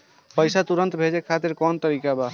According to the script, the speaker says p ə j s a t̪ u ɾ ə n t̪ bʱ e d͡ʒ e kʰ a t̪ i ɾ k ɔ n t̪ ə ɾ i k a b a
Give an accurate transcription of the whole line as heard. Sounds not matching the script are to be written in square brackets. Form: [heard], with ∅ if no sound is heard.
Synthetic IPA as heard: p ə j s a t̪ u ɾ ə n t̪ bʱ e d͡ʒ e kʰ a t̪ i ɾ k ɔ n t̪ ə ɾ i k a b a